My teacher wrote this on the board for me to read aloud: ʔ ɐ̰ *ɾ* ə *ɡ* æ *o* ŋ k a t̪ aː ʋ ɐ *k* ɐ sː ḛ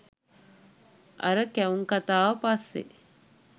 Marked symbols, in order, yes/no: yes, no, no, no

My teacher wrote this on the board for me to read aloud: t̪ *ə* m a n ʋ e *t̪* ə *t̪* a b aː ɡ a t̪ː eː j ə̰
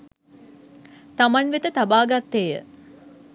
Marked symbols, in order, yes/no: no, yes, yes

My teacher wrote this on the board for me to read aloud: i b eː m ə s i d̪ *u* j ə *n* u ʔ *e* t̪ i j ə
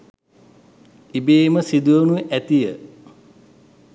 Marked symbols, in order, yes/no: yes, yes, no

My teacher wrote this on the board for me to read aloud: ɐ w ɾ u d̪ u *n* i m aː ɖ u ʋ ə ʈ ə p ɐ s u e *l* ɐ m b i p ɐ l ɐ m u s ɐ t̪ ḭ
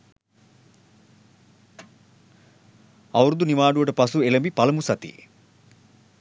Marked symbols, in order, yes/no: yes, yes

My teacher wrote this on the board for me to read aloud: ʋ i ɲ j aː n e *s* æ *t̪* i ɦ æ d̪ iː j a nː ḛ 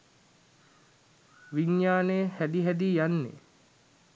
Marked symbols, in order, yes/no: no, no

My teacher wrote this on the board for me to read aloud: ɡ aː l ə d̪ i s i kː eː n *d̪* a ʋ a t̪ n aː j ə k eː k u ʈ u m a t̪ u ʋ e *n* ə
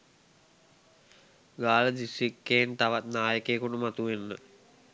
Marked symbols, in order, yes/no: no, no

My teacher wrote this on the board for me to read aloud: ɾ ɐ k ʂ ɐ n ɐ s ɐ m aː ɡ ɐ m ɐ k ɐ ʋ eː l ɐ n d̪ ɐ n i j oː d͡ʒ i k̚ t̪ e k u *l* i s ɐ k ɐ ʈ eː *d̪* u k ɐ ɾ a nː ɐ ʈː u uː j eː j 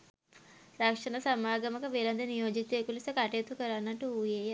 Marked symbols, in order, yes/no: yes, no

